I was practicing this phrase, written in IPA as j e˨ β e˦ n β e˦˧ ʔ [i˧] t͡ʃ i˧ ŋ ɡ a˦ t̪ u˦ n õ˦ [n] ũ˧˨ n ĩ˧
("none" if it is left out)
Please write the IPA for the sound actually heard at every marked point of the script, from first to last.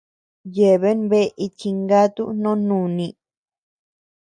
i˧, n

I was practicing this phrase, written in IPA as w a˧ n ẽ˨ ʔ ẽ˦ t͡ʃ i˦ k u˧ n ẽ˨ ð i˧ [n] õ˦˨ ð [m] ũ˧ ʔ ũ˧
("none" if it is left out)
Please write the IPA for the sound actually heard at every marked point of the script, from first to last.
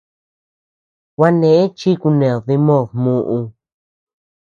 m, m

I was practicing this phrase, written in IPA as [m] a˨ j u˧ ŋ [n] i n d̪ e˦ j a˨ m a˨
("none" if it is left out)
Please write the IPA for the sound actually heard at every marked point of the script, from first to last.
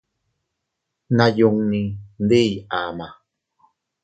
n, n

